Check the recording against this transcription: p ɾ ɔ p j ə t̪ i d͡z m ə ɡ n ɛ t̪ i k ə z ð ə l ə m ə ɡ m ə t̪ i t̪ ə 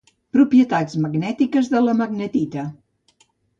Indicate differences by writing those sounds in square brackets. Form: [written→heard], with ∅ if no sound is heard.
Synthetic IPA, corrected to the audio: p ɾ [ɔ→u] p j ə t̪ [i→a] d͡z m ə ɡ n ɛ t̪ i k ə z ð ə l ə m ə ɡ [m→n] ə t̪ i t̪ ə